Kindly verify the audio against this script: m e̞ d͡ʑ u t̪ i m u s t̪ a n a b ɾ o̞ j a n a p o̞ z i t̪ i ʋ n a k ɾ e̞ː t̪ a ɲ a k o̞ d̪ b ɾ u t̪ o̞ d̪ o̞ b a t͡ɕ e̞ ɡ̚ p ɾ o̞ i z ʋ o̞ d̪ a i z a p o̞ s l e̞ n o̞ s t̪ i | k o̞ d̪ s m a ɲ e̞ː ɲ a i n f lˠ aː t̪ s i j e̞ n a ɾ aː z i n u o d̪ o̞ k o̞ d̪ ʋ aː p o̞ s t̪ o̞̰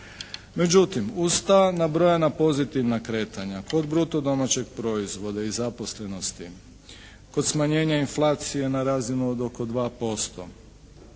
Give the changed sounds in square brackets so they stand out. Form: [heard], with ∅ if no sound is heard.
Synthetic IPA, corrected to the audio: m e̞ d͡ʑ u t̪ i m u s t̪ a n a b ɾ o̞ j a n a p o̞ z i t̪ i ʋ n a k ɾ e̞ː t̪ a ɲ a k o̞ d̪ b ɾ u t̪ o̞ d̪ o̞ [m] a t͡ɕ e̞ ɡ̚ p ɾ o̞ i z ʋ o̞ d̪ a i z a p o̞ s l e̞ n o̞ s t̪ i | k o̞ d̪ s m a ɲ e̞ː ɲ a i n f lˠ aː t̪ s i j e̞ n a ɾ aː z i n u o d̪ o̞ k o̞ d̪ ʋ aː p o̞ s t̪ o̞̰

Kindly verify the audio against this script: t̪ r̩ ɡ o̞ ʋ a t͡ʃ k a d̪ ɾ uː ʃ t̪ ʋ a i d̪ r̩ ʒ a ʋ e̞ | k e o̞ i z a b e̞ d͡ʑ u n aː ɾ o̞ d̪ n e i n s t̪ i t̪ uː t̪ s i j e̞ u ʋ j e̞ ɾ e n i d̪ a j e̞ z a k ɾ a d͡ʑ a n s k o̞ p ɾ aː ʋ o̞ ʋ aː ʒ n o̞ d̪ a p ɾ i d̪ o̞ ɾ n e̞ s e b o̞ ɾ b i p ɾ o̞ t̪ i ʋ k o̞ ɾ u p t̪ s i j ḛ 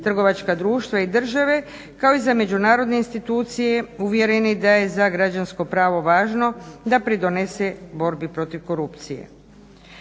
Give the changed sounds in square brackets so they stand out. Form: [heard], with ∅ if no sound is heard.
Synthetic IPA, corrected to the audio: t̪ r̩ ɡ o̞ ʋ a t͡ʃ k a d̪ ɾ uː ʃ t̪ ʋ a i d̪ r̩ ʒ a ʋ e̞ | k [a] o̞ i z a [m] e̞ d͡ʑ u n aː ɾ o̞ d̪ n e i n s t̪ i t̪ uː t̪ s i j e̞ u ʋ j e̞ ɾ e n i d̪ a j e̞ z a [ɡ] ɾ a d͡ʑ a n s k o̞ p ɾ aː ʋ o̞ ʋ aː ʒ n o̞ d̪ a p ɾ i d̪ o̞ [∅] n e̞ s e b o̞ ɾ b i p ɾ o̞ t̪ i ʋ k o̞ ɾ u p t̪ s i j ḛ

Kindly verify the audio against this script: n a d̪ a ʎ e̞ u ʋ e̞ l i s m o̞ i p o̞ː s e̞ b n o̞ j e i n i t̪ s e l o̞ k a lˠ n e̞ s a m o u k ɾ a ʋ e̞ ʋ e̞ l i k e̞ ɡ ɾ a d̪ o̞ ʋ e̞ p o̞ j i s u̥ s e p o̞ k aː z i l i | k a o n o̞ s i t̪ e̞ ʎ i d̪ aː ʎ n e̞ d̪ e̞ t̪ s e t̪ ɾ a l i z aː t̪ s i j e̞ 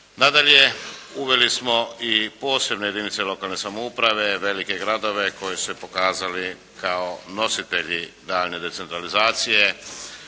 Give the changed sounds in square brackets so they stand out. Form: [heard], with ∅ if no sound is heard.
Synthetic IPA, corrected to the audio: n a d̪ a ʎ e̞ u ʋ e̞ l i s m o̞ i p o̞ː s e̞ b n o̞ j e i n i t̪ s e l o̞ k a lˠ n e̞ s a m o u [p] ɾ a ʋ e̞ ʋ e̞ l i k e̞ ɡ ɾ a d̪ o̞ ʋ e̞ [k] o̞ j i s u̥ s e p o̞ k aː z [a] l i | k a o n o̞ s i t̪ e̞ ʎ i d̪ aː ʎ n e̞ d̪ e̞ t̪ s e t̪ ɾ a l i z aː t̪ s i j e̞

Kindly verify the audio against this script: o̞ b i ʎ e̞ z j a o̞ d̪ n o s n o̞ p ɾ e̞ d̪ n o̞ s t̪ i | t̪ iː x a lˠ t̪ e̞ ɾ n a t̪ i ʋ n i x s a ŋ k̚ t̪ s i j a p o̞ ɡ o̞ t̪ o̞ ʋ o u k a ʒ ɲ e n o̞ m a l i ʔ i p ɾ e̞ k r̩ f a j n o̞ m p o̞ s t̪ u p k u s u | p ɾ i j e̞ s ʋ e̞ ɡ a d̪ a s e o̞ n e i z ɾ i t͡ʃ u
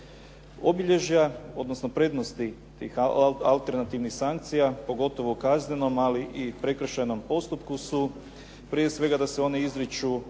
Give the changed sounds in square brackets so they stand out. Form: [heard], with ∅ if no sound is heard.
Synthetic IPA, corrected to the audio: o̞ b i ʎ e̞ [ʒ] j a o̞ d̪ n o s n o̞ p ɾ e̞ d̪ n o̞ s t̪ i | t̪ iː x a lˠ t̪ e̞ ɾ n a t̪ i ʋ n i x s a ŋ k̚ t̪ s i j a p o̞ ɡ o̞ t̪ o̞ ʋ o u k a [z] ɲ e n o̞ m a l i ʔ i p ɾ e̞ k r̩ [ʃ] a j n o̞ m p o̞ s t̪ u p k u s u | p ɾ i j e̞ s ʋ e̞ ɡ a d̪ a s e o̞ n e i z ɾ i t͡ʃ u

